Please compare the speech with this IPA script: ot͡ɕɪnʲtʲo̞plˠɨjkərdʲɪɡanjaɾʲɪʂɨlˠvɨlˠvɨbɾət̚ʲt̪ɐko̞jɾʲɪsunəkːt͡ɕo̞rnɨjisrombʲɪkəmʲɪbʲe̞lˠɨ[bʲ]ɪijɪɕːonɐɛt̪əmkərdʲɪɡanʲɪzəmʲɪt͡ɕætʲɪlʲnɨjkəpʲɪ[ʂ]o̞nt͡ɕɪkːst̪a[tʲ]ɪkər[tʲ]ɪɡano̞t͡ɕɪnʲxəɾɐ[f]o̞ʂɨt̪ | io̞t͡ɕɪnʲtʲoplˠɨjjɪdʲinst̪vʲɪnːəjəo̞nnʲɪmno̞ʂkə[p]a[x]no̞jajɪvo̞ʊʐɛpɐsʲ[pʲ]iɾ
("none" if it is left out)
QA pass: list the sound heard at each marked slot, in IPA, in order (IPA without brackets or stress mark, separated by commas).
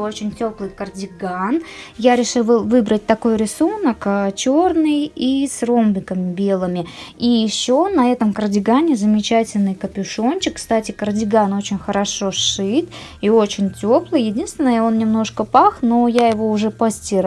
mʲ, ʂ, tʲ, dʲ, ʂ, p, x, tʲ